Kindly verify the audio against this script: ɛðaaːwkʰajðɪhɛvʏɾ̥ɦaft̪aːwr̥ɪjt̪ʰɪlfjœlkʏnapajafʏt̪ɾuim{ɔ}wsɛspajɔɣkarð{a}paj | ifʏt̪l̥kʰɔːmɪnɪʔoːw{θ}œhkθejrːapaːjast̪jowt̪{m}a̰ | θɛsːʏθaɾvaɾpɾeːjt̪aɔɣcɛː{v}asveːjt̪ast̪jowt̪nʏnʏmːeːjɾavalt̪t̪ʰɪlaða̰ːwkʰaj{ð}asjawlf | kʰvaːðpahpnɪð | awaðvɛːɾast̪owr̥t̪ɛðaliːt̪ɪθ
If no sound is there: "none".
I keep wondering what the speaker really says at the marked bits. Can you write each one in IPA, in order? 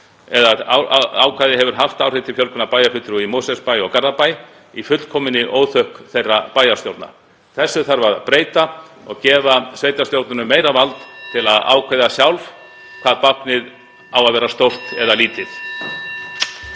o, a, θ, n, v, ð

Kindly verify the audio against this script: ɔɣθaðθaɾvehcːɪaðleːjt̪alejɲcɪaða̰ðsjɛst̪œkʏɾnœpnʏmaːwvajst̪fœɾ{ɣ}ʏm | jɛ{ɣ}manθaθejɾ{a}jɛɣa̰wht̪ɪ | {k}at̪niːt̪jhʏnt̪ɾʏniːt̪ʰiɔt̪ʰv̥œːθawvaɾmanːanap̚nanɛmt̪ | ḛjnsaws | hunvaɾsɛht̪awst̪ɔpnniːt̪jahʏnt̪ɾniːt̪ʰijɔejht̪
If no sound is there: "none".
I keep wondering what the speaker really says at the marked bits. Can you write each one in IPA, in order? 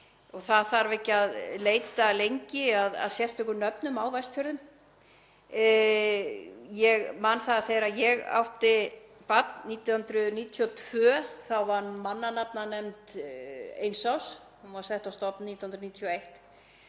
ð, ɣ, a, p

